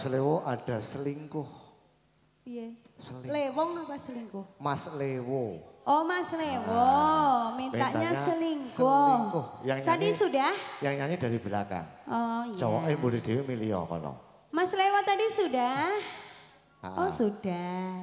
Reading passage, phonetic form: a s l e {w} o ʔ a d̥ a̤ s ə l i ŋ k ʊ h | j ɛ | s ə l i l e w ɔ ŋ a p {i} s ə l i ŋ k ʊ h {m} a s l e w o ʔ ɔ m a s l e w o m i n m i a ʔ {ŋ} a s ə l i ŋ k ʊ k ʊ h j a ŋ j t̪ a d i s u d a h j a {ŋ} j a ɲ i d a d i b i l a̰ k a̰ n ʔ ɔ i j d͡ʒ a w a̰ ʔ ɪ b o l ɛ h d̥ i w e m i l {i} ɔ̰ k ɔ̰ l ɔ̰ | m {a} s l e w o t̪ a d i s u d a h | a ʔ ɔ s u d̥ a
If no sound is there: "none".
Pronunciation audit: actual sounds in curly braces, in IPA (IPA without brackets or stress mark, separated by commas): w, a, m, ɲ, ŋ, i, a